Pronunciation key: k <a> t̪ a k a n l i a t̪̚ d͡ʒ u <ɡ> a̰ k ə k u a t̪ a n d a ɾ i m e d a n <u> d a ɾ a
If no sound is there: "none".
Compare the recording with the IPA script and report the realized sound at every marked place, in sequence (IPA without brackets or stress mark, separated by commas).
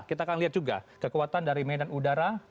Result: i, ɡ, u